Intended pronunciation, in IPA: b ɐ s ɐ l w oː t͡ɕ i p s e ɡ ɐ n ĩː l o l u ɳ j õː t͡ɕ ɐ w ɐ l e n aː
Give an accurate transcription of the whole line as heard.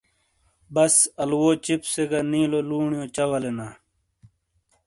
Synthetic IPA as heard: b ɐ s ɐ l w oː t͡ɕ i p s e ɡ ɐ n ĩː l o l uː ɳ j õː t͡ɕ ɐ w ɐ l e n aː